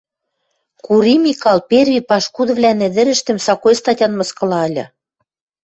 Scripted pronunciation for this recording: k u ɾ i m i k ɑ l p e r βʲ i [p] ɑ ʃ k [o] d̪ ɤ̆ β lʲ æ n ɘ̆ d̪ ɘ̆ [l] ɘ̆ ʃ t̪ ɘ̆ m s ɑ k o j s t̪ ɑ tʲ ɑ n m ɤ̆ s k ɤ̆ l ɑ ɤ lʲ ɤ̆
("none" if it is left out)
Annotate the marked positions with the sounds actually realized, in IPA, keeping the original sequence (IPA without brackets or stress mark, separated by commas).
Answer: p, u, ɾ